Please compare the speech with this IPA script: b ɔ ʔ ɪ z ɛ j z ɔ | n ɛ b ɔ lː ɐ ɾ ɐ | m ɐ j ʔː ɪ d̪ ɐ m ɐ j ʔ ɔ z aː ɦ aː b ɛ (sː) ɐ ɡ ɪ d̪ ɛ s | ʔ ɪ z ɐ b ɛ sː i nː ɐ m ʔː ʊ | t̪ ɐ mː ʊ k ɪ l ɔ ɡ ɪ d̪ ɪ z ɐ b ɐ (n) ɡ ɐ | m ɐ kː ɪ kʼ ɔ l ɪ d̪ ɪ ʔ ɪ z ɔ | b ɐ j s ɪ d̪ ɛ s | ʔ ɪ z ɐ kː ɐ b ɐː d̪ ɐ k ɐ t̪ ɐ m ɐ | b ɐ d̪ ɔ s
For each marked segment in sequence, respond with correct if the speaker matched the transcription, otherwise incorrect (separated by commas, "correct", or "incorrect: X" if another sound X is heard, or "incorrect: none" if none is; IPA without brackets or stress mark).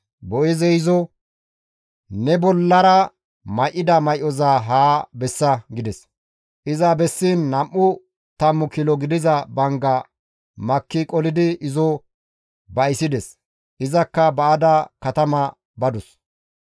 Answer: correct, incorrect: ŋ